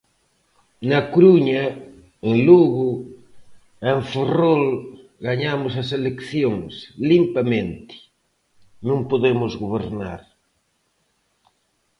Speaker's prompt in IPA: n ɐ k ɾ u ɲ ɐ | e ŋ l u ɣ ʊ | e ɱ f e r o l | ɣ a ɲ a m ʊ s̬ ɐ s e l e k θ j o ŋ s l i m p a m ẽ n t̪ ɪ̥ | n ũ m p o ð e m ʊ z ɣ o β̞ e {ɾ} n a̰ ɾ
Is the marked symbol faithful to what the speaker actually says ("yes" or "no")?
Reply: yes